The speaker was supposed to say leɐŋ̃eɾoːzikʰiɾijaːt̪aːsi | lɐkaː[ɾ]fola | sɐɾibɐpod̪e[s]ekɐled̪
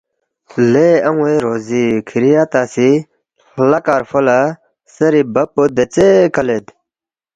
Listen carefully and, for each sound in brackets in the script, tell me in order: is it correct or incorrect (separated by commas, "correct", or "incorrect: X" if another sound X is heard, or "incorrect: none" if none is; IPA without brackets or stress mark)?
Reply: correct, incorrect: t͡s